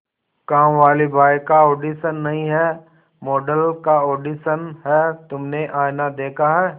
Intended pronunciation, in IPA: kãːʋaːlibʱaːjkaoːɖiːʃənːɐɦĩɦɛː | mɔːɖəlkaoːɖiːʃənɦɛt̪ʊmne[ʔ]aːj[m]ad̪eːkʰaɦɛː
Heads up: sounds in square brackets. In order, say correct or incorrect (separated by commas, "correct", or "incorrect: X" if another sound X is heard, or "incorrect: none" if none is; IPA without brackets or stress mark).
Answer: correct, incorrect: n